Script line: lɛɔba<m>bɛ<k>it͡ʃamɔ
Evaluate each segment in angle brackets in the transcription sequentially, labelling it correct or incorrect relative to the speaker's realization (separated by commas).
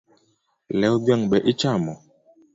incorrect, incorrect